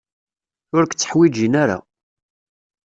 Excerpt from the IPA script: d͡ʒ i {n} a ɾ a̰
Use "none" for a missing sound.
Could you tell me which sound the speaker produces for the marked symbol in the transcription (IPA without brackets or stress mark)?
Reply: n